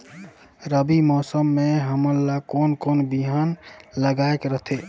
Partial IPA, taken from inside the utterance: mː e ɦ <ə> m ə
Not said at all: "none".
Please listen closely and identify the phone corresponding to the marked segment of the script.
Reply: ə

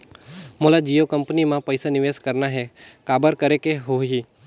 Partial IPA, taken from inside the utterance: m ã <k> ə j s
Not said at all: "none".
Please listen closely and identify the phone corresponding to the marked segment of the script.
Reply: p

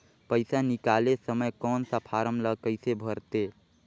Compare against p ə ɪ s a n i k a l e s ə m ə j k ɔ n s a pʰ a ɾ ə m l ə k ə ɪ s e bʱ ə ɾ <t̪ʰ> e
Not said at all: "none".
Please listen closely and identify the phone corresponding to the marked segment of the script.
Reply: t̪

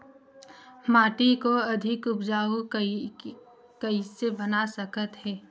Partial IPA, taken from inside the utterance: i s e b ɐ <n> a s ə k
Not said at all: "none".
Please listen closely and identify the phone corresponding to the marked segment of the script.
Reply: n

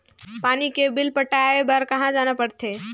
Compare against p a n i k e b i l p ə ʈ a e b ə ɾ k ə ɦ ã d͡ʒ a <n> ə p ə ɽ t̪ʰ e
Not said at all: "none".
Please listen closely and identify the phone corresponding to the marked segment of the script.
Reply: n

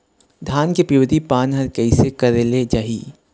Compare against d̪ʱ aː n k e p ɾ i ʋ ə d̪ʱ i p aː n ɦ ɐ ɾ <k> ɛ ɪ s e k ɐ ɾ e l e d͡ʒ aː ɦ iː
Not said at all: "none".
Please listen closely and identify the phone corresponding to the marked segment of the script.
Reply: k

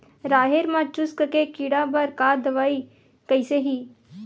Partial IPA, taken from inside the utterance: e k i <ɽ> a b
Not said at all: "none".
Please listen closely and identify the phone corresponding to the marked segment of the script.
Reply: ɽ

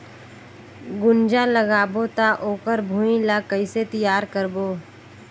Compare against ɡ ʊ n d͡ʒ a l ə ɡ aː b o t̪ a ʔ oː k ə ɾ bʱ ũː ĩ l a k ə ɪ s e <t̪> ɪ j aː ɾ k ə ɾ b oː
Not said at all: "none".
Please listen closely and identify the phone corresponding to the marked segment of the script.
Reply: t̪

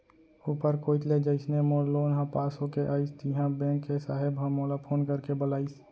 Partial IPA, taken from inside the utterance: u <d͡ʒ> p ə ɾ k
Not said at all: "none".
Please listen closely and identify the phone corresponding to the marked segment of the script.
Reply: none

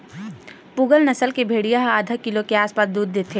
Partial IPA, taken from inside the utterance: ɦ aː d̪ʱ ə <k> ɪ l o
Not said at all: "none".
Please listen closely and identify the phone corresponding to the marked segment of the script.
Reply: k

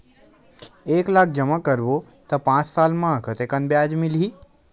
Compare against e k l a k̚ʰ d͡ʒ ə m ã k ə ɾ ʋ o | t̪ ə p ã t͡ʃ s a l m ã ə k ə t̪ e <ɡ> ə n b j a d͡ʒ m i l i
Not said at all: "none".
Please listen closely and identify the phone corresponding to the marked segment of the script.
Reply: k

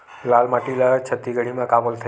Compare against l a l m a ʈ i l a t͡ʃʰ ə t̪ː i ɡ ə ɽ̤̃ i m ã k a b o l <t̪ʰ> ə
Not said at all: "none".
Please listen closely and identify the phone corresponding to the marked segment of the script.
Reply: t̪ʰ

